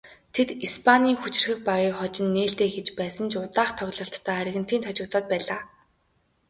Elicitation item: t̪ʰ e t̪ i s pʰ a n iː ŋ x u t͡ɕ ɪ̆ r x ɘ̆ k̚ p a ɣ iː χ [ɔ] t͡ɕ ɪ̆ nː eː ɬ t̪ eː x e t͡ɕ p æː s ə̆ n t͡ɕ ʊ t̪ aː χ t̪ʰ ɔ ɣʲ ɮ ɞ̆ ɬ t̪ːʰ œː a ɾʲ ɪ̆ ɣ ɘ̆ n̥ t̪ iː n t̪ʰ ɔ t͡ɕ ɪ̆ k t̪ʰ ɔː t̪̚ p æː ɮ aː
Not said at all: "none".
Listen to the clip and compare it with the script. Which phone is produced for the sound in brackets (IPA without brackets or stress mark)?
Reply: ɔ